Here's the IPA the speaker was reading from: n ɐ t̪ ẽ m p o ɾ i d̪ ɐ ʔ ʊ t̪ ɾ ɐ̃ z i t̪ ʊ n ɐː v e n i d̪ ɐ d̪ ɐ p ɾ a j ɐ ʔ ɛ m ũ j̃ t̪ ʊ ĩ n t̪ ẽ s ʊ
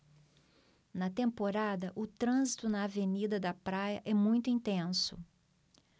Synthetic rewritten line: n ɐ t̪ ẽ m p o ɾ a d̪ ɐ ʔ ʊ t̪ ɾ ɐ̃ z i t̪ ʊ n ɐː v e n i d̪ ɐ d̪ ɐ p ɾ a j ɐ ʔ ɛ m ũ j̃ t̪ ʊ ĩ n t̪ ẽ s ʊ